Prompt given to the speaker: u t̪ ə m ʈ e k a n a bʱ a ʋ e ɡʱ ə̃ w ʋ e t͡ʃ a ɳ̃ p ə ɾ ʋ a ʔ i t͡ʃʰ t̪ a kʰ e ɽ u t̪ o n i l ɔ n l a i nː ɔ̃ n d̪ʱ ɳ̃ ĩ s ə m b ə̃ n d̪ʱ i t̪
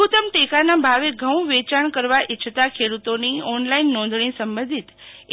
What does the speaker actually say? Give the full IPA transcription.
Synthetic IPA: u t̪ ə m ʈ e k a n a bʱ a ʋ e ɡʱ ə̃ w ʋ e t͡ʃ a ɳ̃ k ə ɾ ʋ a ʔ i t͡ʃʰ t̪ a kʰ e ɽ u t̪ o n i ɔ n l a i nː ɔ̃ n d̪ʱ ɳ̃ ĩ s ə m b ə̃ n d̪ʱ i t̪